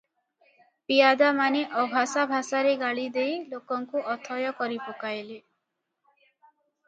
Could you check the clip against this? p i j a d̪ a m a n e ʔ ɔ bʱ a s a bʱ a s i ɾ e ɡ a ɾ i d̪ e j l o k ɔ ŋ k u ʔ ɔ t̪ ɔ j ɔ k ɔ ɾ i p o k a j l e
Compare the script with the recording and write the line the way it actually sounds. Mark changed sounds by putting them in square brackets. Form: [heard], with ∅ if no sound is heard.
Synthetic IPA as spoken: p i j a d̪ a m a n e ʔ ɔ bʱ a s a bʱ a s [a] ɾ e ɡ a [ɭ] i d̪ e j l o k ɔ ŋ k u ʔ ɔ [t̪ʰ] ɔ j ɔ k ɔ ɾ i p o k a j l e